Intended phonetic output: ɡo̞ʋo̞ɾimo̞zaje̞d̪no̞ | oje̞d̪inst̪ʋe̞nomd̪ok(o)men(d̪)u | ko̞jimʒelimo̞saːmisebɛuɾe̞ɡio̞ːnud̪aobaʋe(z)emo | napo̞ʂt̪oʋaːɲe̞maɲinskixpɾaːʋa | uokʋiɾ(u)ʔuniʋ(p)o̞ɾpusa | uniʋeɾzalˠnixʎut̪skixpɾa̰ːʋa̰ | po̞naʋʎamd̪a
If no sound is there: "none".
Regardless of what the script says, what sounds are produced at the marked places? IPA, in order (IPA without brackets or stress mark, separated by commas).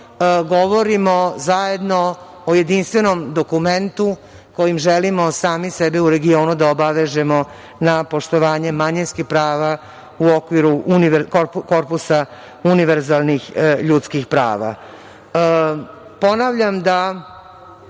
u, t̪, ʒ, u, k